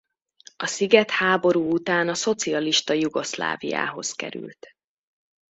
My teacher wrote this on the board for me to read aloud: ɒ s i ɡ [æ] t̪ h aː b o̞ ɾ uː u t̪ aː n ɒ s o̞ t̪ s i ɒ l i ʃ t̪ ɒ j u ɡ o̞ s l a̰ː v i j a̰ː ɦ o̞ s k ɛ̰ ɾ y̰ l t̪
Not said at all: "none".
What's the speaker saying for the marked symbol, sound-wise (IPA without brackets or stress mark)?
ɛ